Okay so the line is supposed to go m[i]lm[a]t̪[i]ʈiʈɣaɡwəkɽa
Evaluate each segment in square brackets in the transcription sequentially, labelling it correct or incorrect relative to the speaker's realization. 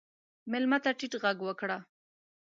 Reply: incorrect, correct, incorrect

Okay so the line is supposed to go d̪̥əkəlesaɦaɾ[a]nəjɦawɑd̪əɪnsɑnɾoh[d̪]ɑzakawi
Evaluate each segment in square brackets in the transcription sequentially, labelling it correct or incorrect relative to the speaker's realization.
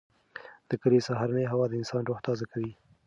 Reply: correct, incorrect

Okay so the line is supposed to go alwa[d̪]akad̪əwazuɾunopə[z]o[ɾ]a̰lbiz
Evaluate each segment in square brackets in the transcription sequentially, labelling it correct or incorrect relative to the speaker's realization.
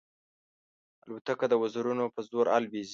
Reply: incorrect, correct, correct

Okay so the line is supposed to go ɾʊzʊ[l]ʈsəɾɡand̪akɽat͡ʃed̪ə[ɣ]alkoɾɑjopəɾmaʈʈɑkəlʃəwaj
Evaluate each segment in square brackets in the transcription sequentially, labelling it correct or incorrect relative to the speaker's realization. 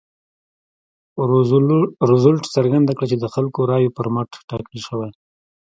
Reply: correct, incorrect

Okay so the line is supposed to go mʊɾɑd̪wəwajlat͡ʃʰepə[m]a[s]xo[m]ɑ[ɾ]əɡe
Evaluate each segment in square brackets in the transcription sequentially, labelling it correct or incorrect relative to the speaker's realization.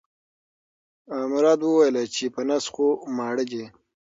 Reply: incorrect, correct, correct, incorrect

